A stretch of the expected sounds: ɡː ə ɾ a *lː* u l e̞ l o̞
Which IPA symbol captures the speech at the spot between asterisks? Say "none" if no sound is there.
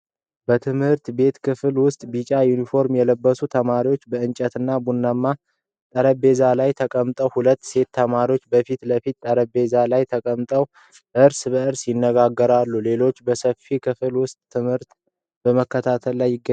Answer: lː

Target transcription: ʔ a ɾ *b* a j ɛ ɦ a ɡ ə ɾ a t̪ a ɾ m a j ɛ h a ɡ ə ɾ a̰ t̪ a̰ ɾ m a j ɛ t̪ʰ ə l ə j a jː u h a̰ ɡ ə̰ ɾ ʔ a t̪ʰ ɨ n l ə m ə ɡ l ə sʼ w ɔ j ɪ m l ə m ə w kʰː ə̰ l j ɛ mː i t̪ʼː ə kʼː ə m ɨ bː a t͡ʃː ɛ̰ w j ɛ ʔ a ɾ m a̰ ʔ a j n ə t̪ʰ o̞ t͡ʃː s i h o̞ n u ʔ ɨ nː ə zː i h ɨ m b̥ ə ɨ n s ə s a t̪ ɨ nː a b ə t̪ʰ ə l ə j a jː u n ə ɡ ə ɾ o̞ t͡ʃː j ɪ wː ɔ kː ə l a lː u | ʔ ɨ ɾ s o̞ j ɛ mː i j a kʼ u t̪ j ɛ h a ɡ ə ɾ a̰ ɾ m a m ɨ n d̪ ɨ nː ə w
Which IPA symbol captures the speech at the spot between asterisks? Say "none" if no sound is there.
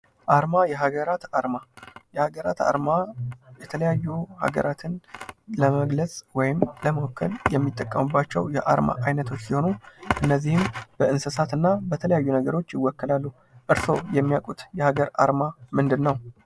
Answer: m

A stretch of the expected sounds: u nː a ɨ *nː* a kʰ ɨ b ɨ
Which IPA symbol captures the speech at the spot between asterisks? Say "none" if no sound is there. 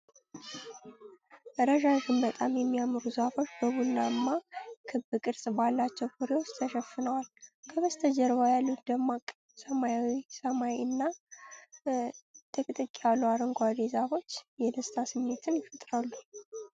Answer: mː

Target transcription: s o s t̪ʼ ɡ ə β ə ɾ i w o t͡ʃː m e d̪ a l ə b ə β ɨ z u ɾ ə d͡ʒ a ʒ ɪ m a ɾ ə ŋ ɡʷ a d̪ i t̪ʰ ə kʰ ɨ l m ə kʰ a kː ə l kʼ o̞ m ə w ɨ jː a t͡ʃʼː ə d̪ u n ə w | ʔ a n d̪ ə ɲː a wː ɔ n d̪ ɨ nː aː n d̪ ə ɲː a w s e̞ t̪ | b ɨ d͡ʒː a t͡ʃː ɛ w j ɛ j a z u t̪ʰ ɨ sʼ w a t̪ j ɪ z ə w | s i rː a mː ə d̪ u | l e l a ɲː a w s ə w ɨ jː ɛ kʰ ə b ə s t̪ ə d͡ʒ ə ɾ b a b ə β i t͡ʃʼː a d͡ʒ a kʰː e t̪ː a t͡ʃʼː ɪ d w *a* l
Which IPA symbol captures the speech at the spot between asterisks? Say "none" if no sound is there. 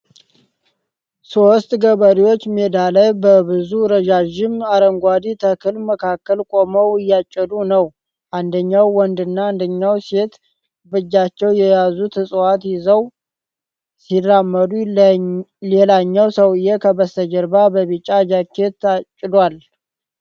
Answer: a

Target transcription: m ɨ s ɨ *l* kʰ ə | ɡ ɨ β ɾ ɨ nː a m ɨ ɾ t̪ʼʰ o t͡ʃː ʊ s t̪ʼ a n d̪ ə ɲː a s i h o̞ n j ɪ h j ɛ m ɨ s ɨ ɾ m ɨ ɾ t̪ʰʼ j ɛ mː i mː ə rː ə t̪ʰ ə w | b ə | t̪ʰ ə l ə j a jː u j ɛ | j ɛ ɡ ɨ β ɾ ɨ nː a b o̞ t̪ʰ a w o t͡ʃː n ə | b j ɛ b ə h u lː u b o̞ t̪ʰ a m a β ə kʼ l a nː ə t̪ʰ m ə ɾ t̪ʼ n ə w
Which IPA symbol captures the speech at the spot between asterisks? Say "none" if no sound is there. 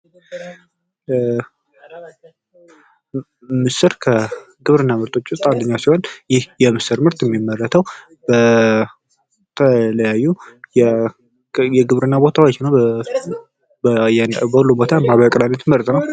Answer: ɾ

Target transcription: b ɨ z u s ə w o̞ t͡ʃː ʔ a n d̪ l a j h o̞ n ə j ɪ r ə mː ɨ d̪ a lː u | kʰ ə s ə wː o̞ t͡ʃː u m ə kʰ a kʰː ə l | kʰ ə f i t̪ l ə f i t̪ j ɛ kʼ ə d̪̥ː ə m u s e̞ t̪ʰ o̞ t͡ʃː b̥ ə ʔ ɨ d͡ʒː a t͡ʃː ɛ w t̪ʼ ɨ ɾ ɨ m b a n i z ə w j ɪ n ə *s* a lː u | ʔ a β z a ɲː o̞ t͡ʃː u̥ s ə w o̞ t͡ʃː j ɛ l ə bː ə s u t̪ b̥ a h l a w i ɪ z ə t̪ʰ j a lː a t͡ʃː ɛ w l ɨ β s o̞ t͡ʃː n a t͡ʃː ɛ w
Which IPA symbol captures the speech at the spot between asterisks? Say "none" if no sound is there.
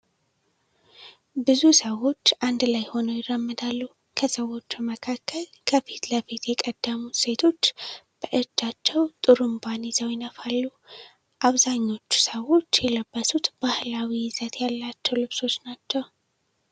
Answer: f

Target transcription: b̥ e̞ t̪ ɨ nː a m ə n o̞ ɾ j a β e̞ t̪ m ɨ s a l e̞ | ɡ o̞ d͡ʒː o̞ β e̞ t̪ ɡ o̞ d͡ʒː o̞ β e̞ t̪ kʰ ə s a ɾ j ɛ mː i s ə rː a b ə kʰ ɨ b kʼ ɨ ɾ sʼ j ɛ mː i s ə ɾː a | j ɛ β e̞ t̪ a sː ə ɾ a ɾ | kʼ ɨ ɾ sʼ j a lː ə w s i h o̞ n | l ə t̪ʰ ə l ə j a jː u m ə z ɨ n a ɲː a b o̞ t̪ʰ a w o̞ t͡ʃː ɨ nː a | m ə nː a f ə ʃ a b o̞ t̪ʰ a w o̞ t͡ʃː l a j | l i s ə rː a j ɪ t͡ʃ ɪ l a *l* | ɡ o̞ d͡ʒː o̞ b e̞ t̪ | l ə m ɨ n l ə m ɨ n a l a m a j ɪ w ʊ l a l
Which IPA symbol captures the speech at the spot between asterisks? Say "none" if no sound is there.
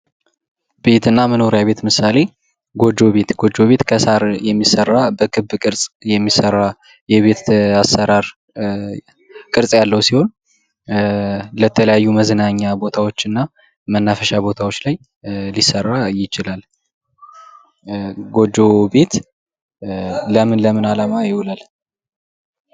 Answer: l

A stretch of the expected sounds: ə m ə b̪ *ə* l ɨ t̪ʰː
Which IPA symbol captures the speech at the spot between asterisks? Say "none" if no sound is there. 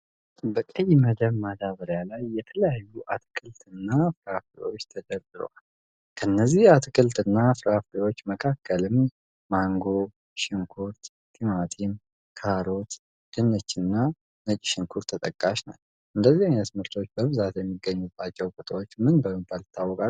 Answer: a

